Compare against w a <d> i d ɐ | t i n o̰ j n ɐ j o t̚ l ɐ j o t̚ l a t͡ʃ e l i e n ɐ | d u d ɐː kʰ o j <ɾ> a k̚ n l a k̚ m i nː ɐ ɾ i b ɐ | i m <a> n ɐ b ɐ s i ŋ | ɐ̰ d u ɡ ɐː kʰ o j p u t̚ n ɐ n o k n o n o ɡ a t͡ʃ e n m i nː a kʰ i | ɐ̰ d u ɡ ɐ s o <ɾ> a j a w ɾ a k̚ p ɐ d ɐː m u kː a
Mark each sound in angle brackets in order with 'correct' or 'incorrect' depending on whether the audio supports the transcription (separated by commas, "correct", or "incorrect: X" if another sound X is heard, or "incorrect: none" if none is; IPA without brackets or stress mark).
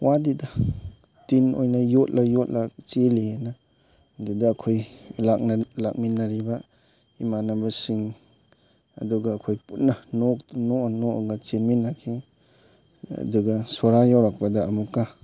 correct, incorrect: l, correct, correct